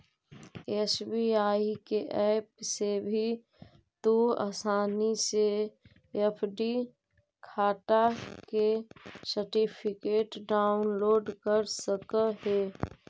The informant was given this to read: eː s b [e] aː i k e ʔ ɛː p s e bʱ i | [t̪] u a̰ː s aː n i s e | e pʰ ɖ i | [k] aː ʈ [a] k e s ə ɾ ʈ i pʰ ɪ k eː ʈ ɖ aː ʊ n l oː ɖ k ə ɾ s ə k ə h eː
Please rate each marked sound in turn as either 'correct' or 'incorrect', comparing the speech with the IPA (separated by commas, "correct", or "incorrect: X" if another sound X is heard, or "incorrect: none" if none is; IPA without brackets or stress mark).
incorrect: i, correct, incorrect: kʰ, correct